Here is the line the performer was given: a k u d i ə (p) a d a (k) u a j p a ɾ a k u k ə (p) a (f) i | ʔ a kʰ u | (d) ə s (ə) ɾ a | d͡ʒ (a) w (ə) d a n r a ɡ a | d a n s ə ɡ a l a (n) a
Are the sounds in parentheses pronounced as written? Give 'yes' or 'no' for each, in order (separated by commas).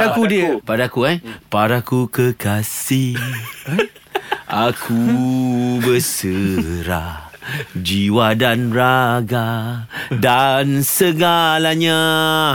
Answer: yes, yes, no, no, no, yes, no, no, no